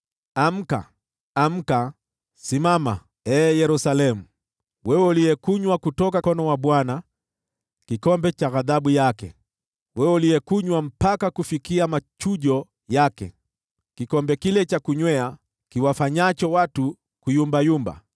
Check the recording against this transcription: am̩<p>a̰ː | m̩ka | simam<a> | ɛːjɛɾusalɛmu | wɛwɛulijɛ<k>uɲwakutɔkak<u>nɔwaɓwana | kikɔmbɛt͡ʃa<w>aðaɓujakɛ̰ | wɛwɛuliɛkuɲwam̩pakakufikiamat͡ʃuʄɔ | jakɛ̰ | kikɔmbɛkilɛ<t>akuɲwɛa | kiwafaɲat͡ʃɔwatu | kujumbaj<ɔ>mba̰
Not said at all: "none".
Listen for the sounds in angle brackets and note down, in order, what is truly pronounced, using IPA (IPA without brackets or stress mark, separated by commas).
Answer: k, a, k, ɔ, ɣ, t͡ʃ, u